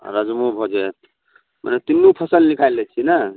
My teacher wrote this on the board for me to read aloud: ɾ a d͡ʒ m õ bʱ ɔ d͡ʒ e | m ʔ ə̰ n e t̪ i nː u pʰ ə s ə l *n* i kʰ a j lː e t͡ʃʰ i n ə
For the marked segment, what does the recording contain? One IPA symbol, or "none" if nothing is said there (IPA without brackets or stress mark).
n